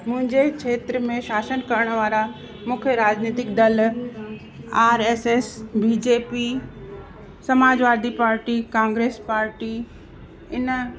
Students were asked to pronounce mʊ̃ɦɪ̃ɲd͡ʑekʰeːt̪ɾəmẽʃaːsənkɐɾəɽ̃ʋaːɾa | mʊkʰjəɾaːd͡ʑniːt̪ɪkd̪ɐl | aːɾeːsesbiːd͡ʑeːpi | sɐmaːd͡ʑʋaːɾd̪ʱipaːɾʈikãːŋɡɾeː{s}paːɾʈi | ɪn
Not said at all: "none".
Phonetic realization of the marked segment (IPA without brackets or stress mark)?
s